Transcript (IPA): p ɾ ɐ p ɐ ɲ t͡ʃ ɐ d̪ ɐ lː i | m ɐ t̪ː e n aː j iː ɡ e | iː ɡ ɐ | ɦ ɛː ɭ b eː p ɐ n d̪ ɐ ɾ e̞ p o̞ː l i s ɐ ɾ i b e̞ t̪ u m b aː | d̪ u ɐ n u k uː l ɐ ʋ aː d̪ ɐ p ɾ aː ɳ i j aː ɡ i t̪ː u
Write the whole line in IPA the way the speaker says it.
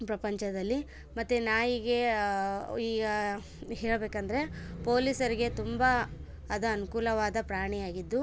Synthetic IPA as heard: p ɾ ɐ p ɐ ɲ t͡ʃ ɐ d̪ ɐ lː i | m ɐ t̪ː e n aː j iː ɡ e | iː ɡ ɐ | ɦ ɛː ɭ b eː k ɐ n d̪ ɐ ɾ e̞ p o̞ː l i s ɐ ɾ i ɡ e̞ t̪ u m b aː | d̪ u ɐ n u k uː l ɐ ʋ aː d̪ ɐ p ɾ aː ɳ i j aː ɡ i d̪ː u

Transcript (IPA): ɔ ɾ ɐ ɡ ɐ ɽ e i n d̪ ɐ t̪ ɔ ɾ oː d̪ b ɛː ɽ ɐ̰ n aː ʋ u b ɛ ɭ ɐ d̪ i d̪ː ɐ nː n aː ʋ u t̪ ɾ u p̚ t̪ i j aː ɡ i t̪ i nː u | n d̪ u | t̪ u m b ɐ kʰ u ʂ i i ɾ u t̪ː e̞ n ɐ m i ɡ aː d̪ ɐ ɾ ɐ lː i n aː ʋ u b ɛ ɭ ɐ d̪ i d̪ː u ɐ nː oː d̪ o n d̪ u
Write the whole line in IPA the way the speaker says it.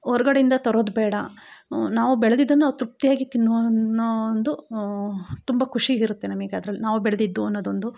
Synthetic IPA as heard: ɔ ɾ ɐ ɡ ɐ ɽ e i n d̪ ɐ t̪ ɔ ɾ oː d̪ b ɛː ɽ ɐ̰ n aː ʋ u b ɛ ɭ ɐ d̪ i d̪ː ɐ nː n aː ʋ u t̪ ɾ u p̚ t̪ i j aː ɡ i t̪ i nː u | n d̪ u | t̪ u m b ɐ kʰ u ʂ i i ɾ u t̪ː e̞ n ɐ m i ɡ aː d̪ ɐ ɾ ɐ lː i n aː ʋ u b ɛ ɭ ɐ d̪ i d̪ː u ɐ nː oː d̪ o n d̪ u

